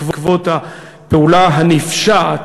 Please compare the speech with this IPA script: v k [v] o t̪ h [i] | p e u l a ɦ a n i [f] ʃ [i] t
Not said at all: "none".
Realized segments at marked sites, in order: v, a, f, a

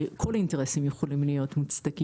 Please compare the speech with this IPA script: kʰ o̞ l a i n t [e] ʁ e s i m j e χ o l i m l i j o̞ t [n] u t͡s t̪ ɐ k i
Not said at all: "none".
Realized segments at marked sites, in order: e, m

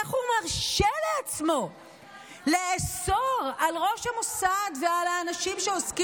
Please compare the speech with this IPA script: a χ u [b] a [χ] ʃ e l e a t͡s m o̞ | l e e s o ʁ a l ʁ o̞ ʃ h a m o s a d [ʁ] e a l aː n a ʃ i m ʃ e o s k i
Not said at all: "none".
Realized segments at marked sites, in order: m, ʁ, v

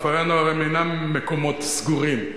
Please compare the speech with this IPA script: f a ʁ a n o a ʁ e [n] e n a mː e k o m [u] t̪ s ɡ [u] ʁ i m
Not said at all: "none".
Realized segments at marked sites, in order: m, o, u

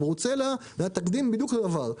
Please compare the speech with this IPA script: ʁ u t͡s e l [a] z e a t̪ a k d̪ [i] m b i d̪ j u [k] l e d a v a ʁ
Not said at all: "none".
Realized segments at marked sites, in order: a, i, k

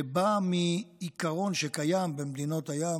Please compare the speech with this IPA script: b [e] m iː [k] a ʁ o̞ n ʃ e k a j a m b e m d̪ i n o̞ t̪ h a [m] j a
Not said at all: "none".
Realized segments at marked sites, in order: a, k, none

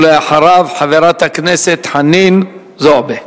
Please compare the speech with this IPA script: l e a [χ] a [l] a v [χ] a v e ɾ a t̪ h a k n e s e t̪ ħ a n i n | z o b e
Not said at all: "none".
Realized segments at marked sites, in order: ħ, ɾ, ħ

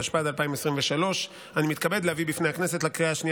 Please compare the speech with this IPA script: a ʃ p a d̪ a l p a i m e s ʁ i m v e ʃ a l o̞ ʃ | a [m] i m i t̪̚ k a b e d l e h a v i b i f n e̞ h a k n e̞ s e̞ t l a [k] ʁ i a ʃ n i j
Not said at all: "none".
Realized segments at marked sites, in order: n, k

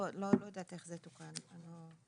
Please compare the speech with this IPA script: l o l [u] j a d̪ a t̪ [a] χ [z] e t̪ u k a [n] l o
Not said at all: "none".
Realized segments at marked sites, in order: o, e, z, n

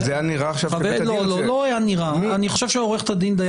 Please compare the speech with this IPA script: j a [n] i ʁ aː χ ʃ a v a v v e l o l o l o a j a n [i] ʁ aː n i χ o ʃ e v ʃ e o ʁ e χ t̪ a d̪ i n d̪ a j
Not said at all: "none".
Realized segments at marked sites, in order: n, i

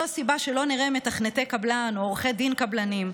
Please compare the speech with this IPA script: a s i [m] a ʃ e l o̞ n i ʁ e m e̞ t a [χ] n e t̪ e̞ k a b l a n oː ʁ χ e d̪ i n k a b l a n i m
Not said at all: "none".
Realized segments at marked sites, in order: b, χ

